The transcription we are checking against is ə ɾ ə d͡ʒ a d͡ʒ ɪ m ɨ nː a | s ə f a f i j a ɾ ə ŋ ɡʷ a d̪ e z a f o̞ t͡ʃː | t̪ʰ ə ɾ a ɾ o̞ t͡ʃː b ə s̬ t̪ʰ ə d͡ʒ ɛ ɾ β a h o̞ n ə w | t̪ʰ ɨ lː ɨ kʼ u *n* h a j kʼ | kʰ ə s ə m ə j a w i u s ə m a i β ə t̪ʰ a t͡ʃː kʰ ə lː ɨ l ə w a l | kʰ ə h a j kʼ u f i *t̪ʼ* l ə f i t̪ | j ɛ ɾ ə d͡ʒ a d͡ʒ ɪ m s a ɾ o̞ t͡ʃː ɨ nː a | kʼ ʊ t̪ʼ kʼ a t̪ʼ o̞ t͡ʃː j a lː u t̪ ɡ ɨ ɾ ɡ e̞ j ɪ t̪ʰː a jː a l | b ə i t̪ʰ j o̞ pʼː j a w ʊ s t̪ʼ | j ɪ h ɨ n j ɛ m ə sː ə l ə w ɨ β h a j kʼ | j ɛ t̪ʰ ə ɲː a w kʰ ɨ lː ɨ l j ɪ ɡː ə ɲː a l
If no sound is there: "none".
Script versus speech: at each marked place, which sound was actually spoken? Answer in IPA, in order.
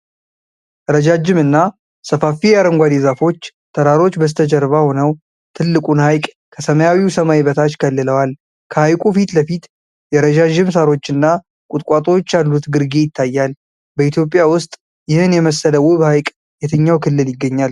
n, t̪

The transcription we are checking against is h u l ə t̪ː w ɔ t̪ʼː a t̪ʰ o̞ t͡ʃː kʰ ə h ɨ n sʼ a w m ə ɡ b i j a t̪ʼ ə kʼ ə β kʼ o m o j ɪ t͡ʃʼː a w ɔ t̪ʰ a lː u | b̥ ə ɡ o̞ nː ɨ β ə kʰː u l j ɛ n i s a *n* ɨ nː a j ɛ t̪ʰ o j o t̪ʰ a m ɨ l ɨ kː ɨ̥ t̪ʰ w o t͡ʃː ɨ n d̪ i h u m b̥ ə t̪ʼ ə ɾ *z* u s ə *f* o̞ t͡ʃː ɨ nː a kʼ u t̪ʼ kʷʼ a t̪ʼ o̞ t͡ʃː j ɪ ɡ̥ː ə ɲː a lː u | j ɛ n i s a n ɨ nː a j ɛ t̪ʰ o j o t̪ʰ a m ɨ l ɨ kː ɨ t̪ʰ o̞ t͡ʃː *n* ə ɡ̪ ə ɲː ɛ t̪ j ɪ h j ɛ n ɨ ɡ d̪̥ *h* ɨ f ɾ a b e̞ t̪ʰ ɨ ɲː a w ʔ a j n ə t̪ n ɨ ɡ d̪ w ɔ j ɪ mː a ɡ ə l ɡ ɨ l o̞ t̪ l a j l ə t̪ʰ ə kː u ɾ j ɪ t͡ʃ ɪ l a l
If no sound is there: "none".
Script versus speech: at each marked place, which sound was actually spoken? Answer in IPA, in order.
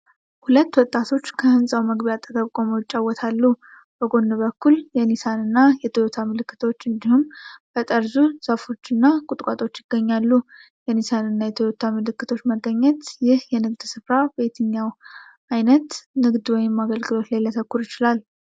n, z, f, m, s

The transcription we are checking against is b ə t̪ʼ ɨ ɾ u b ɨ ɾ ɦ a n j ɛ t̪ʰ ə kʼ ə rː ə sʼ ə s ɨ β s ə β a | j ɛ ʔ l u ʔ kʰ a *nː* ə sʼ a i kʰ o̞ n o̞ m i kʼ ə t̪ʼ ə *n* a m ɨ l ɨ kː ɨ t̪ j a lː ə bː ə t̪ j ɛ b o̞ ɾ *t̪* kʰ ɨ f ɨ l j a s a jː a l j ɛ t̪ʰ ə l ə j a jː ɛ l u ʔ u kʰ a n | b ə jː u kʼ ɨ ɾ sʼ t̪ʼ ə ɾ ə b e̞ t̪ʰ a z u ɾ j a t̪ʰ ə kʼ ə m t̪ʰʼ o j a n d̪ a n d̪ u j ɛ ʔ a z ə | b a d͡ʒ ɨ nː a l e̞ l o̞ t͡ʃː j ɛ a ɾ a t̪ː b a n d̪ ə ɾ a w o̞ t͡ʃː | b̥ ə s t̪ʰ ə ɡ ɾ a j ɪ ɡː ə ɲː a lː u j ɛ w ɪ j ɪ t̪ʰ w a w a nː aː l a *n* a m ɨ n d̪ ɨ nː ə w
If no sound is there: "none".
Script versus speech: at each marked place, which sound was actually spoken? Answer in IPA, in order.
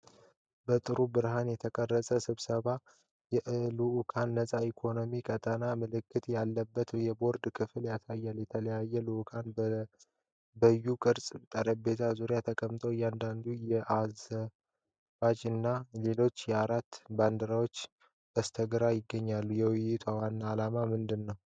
nː, n, d̪, m

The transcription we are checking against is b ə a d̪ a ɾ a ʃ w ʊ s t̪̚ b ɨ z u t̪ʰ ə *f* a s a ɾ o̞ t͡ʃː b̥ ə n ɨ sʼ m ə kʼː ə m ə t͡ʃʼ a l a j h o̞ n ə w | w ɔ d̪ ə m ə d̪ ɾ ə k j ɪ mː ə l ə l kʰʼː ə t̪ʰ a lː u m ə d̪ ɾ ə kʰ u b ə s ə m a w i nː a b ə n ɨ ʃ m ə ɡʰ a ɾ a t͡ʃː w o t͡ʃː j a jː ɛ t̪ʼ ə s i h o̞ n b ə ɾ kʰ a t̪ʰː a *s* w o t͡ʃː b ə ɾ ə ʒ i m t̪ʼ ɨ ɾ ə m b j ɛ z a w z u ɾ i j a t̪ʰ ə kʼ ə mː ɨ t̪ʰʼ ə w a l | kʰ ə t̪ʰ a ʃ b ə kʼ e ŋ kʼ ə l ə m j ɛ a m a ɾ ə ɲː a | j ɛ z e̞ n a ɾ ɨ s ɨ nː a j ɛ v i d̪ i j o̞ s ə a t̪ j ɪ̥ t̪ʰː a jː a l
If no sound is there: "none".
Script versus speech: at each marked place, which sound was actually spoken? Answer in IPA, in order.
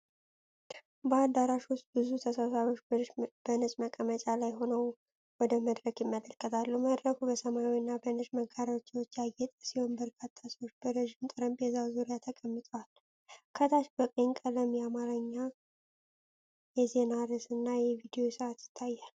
s, s

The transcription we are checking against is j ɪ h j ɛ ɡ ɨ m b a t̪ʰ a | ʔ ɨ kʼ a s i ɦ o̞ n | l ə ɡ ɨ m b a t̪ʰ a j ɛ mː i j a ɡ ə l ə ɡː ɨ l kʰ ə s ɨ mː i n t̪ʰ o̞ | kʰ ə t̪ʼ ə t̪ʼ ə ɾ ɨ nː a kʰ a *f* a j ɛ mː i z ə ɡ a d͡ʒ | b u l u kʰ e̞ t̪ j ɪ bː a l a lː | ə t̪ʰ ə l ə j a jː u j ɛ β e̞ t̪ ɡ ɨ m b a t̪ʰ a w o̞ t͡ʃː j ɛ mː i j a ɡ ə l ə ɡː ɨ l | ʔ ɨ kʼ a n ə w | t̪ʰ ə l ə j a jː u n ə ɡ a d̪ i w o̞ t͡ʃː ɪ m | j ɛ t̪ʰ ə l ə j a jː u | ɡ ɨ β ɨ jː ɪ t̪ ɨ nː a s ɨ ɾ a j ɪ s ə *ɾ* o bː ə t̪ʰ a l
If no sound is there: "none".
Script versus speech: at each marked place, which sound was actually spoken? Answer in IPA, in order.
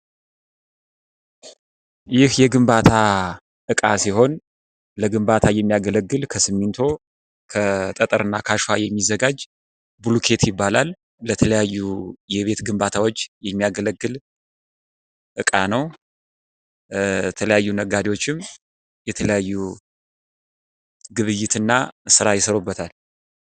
ʃ, ɾ

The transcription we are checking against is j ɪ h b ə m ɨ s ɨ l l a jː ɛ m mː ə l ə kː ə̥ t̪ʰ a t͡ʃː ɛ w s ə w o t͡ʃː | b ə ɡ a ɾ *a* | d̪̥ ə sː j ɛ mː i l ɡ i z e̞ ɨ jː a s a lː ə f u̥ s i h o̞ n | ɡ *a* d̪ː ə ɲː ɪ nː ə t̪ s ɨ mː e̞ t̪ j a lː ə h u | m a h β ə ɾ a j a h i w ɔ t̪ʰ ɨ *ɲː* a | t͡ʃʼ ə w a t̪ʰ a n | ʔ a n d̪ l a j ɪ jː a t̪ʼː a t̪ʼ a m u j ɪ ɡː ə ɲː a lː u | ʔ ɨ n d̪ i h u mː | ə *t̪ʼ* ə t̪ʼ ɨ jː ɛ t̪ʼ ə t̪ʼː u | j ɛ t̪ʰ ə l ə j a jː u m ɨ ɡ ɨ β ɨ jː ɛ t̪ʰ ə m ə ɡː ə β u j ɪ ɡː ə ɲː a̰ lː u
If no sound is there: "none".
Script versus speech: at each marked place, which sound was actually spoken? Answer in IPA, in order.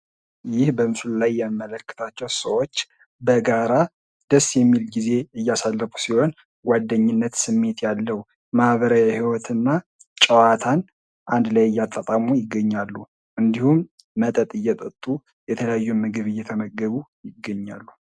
a, a, nː, t̪ʼ

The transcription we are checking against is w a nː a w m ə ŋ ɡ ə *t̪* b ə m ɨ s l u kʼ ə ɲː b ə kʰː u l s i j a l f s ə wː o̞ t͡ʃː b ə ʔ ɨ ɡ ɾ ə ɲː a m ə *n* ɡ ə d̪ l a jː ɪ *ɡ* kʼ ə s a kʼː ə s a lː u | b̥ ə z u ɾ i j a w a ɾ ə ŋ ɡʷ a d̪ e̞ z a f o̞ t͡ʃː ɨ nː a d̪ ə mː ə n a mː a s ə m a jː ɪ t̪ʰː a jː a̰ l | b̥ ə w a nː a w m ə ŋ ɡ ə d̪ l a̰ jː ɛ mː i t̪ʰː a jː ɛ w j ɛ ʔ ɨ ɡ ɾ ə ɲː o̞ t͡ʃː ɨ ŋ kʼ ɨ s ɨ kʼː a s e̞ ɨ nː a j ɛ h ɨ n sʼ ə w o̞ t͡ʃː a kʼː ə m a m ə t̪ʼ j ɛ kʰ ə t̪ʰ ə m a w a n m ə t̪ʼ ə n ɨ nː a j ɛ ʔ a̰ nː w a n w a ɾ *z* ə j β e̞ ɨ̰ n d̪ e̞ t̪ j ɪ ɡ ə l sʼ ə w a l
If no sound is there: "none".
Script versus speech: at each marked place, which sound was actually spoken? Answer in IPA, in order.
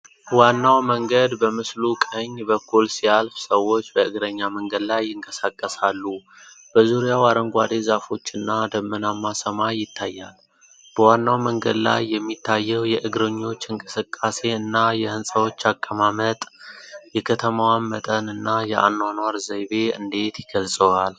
d̪, ŋ, ŋ, z

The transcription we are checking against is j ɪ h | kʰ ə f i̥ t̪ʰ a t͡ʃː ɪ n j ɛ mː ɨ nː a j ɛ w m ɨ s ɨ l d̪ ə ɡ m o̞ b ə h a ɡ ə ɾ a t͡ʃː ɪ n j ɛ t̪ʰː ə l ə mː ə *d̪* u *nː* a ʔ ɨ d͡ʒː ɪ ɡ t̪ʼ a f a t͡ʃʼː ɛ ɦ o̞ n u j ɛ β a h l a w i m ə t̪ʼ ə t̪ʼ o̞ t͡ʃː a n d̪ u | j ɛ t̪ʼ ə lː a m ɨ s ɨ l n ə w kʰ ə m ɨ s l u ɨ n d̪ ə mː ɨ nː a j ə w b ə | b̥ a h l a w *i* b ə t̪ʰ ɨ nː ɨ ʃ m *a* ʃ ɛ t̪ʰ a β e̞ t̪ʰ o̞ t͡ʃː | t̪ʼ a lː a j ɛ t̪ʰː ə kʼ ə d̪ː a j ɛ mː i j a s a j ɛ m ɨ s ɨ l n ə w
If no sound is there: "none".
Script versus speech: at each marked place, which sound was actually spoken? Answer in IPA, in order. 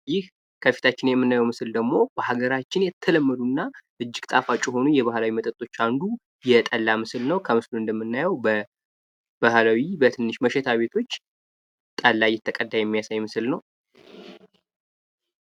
d̪, nː, i, ə

